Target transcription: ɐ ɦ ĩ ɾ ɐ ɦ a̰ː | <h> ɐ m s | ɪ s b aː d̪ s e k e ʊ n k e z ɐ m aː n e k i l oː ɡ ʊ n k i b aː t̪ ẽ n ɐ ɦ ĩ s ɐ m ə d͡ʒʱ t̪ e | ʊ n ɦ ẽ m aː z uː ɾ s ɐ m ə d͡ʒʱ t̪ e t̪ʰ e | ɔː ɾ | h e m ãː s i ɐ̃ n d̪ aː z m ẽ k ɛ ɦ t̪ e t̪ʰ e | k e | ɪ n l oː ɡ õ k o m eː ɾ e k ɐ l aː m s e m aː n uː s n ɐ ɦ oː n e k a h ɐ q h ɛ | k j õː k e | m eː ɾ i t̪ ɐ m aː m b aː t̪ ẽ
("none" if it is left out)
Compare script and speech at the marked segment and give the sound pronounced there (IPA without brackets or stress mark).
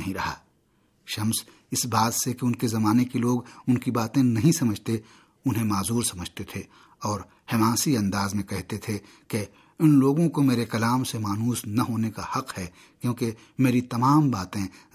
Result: ʃ